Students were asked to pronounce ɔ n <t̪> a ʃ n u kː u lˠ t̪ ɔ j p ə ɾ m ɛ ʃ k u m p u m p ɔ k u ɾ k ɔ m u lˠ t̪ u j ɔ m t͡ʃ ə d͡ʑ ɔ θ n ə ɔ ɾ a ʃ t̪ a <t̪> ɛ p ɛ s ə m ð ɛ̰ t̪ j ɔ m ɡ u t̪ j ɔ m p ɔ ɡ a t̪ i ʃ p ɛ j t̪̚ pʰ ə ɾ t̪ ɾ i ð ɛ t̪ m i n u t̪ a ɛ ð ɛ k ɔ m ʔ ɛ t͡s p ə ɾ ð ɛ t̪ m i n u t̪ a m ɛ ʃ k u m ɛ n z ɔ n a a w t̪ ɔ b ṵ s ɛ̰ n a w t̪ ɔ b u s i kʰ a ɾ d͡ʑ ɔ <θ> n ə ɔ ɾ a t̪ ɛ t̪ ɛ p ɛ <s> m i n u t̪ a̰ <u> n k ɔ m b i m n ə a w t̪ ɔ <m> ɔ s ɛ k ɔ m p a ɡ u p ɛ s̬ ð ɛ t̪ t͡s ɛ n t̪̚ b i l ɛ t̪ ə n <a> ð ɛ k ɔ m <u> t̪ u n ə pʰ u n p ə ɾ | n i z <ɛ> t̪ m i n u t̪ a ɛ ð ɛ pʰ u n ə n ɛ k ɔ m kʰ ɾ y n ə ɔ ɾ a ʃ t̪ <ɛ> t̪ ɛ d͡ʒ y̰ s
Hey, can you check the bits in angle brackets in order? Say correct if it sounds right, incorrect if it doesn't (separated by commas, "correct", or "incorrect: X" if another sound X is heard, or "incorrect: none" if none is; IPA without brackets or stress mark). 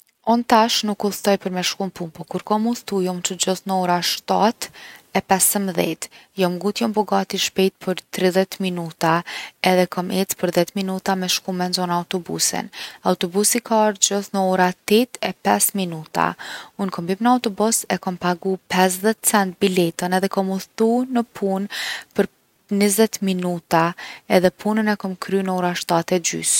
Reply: correct, correct, correct, correct, correct, incorrect: b, incorrect: ɛ, correct, correct, incorrect: a